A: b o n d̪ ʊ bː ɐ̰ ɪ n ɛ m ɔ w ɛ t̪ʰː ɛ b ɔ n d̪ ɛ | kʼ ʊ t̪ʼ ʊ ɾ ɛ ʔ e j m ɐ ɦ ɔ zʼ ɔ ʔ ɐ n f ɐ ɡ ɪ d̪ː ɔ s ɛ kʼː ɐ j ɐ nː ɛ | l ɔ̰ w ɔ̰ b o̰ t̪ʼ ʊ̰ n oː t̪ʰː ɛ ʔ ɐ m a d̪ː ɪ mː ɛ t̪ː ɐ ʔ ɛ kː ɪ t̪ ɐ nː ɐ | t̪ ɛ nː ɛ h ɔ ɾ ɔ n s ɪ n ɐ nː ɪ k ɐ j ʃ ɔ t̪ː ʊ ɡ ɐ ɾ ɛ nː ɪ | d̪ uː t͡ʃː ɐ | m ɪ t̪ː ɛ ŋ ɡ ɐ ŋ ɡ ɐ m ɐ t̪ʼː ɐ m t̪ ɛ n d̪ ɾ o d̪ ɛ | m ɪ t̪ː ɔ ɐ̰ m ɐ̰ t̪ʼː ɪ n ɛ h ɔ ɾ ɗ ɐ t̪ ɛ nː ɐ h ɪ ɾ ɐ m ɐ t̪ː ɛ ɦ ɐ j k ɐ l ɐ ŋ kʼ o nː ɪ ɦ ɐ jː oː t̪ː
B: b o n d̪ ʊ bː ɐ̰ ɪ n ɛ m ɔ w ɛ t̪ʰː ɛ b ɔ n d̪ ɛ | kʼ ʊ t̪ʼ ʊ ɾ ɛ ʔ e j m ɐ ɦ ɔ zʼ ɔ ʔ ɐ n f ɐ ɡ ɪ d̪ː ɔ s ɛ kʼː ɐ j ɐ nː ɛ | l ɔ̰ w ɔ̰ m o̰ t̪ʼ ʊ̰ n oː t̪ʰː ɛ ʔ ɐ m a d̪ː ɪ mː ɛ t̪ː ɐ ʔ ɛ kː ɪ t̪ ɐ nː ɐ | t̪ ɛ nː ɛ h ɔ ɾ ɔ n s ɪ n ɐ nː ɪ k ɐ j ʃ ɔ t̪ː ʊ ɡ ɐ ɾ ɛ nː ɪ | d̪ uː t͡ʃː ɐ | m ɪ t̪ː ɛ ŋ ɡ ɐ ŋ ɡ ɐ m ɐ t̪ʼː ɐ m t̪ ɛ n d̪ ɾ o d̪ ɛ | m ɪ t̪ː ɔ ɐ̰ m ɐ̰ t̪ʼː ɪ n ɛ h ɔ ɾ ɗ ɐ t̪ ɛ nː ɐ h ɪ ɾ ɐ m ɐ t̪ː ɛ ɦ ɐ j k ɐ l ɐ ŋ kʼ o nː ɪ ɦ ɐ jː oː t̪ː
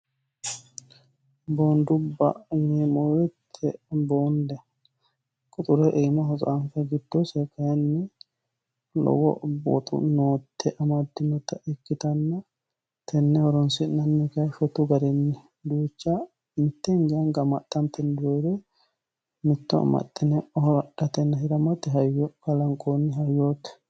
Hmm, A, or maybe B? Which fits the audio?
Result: A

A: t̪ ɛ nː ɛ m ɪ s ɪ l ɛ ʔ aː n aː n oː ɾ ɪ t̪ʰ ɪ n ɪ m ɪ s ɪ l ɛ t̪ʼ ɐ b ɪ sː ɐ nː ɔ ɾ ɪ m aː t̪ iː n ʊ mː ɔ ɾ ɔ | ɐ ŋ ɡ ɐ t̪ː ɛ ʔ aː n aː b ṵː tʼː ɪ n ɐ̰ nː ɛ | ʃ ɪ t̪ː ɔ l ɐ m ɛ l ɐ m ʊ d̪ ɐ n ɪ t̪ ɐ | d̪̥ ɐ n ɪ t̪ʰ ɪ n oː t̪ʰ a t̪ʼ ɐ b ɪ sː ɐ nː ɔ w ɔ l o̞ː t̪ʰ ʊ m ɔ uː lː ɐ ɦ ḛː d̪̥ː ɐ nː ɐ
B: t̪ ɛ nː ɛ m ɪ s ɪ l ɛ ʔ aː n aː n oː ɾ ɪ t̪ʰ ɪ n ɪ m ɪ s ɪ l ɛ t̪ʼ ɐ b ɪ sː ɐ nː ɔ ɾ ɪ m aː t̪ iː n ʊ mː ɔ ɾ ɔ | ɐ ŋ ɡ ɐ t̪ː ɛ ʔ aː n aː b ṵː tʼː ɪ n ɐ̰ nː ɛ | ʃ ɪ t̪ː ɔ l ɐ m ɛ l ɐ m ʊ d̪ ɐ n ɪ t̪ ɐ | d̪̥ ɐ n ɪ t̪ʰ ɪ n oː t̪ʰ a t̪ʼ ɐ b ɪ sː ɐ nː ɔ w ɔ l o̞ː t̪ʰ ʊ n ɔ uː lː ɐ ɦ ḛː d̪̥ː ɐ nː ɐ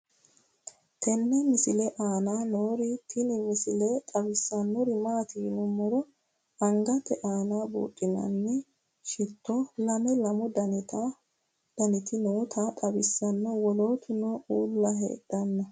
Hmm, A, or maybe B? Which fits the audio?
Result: B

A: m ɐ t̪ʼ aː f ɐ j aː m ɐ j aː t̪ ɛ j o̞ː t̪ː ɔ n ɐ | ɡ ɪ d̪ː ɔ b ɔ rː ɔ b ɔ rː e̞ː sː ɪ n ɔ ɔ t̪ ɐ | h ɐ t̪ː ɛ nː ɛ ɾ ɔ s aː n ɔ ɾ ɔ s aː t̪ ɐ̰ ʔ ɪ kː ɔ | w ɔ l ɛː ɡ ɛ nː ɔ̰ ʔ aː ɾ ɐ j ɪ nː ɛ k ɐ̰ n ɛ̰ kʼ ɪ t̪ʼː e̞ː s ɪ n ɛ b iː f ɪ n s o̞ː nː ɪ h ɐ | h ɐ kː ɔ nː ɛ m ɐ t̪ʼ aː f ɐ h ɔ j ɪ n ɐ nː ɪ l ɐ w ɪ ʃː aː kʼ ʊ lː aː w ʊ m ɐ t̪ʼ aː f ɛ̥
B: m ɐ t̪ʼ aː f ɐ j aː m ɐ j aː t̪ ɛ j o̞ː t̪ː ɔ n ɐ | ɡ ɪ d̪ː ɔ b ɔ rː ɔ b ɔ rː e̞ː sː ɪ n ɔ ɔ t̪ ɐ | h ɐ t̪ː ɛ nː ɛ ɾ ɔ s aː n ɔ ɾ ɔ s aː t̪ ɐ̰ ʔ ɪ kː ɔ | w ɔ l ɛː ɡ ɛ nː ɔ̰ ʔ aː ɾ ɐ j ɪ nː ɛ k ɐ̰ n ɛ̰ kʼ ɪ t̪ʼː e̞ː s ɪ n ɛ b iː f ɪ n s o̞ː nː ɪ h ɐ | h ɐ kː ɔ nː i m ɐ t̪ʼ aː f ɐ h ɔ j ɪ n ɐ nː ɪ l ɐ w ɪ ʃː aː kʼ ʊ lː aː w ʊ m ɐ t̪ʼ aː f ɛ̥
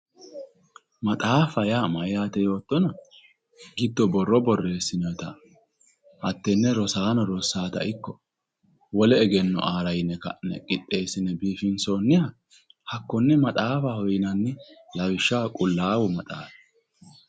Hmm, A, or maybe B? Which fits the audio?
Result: A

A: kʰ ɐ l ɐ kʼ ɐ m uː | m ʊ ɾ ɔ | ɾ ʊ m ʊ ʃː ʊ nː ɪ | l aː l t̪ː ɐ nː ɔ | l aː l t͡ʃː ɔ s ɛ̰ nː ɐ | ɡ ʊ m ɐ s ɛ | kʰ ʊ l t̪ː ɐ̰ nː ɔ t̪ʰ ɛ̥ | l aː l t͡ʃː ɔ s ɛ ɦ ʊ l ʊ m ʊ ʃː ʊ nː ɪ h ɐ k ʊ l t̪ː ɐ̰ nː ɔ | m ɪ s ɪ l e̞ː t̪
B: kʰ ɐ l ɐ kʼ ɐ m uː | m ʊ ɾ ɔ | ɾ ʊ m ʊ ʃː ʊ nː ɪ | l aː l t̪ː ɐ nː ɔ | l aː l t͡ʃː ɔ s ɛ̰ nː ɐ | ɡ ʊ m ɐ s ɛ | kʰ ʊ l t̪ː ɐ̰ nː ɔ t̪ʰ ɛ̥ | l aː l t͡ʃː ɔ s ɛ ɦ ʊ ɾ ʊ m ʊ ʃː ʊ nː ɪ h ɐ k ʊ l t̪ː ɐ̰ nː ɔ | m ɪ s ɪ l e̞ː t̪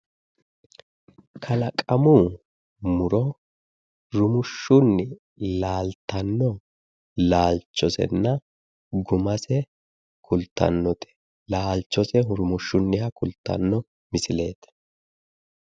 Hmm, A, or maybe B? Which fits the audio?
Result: B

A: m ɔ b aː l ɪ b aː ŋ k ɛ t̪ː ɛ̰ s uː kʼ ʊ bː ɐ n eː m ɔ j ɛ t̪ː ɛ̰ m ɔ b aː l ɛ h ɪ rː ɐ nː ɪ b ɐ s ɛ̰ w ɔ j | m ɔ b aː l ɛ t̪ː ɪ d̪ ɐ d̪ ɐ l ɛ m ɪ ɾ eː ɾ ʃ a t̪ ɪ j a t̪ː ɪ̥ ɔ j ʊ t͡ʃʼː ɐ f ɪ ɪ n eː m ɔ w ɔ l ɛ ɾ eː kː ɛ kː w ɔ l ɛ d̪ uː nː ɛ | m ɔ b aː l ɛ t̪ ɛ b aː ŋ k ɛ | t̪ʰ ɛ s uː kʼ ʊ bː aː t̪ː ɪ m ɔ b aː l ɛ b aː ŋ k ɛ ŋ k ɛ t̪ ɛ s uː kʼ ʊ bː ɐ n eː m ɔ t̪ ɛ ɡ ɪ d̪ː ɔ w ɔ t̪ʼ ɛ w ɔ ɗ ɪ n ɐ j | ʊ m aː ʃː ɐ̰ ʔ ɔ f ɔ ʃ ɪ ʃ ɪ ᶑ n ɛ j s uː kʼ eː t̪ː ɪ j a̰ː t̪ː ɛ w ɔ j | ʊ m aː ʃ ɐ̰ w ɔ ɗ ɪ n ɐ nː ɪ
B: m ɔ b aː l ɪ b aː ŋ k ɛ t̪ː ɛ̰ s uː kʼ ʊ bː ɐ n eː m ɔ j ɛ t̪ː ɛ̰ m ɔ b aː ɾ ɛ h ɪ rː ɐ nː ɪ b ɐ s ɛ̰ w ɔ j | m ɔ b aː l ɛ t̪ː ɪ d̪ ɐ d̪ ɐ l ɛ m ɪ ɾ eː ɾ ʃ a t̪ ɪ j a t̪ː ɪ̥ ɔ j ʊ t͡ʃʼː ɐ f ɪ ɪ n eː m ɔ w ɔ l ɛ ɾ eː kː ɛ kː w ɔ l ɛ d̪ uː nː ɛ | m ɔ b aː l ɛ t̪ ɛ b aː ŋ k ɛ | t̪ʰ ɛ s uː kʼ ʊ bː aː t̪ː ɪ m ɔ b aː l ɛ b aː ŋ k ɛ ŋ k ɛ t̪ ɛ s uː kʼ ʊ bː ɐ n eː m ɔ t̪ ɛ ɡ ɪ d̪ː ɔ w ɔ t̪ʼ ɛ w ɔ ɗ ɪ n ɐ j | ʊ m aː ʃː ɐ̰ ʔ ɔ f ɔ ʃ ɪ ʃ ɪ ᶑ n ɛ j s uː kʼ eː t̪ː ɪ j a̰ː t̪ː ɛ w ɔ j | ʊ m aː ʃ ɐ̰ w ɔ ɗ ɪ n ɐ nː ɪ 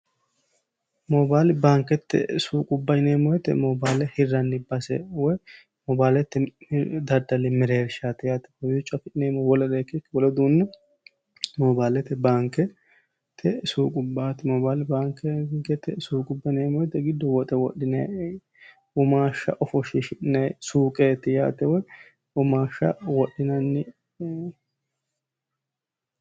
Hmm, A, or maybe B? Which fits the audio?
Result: A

